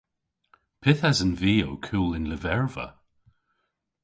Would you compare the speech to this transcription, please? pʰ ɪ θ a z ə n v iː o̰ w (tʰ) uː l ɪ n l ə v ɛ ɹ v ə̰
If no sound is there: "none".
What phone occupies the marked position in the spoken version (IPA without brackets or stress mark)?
kʰ